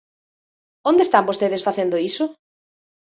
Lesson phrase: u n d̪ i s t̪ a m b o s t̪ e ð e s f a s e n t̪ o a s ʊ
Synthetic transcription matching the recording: o n d̪ e s t̪ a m b o s t̪ e ð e s f a θ e n d̪ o i s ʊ